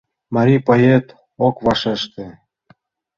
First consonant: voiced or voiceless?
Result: voiced